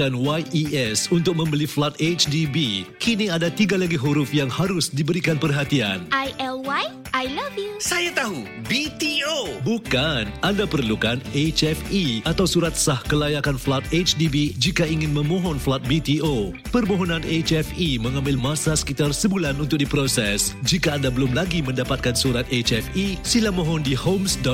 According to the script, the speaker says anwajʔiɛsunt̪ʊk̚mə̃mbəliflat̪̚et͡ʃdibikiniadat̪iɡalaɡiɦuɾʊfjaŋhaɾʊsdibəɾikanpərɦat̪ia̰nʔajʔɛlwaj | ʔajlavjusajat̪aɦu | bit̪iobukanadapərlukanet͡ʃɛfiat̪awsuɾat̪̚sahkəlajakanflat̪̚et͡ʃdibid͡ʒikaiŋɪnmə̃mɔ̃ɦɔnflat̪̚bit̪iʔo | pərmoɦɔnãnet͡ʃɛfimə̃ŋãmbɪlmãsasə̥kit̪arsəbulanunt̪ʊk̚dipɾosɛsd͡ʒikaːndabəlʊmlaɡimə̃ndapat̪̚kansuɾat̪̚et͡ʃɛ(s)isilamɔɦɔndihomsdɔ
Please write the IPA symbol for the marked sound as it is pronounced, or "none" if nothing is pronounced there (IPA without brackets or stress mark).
f